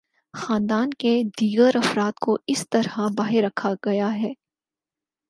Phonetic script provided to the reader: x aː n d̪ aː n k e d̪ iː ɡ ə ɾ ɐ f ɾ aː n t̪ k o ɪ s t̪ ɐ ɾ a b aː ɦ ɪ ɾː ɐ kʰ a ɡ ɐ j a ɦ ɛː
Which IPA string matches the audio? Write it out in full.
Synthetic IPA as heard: x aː n d̪ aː n k e d̪ iː ɡ ə ɾ ɐ f ɾ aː t̪ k o ɪ s t̪ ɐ ɾ a b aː ɦ ɪ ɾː ɐ kʰ a ɡ ɐ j a ɦ ɛː